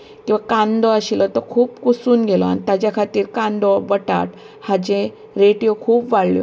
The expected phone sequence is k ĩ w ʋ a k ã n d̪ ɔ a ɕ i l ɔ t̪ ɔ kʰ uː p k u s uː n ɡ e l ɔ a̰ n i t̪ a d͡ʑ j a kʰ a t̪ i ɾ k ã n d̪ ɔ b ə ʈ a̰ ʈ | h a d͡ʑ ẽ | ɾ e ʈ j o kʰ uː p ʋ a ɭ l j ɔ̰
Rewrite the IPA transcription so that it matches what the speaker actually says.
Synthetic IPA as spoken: k ĩ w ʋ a k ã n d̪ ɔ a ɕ i l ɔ t̪ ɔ kʰ uː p k u s uː n ɡ e l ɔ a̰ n i t̪ a d͡ʑ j a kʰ a t̪ iː ɾ k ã n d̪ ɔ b ə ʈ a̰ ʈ | h a d͡ʑ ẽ | ɾ e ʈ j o kʰ uː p ʋ a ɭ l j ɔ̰